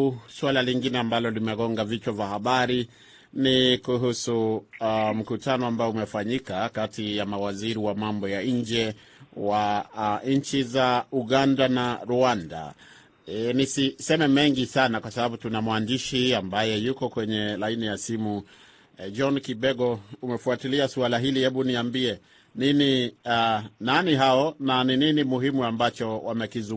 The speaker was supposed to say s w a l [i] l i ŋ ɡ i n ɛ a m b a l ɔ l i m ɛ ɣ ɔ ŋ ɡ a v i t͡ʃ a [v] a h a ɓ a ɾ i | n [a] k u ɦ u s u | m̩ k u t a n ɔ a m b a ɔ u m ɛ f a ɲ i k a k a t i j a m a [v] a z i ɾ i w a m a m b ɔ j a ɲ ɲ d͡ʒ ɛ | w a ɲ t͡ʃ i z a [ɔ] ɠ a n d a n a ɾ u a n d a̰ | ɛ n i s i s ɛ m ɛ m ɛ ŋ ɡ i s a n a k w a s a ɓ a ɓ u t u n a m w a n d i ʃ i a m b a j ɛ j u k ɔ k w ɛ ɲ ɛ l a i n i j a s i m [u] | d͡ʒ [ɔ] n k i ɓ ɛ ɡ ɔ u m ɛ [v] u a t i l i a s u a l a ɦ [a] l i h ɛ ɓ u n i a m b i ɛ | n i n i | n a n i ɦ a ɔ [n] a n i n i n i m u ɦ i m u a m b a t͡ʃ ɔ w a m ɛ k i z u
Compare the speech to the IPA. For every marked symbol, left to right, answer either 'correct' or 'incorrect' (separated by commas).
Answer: incorrect, correct, incorrect, incorrect, incorrect, correct, correct, incorrect, incorrect, correct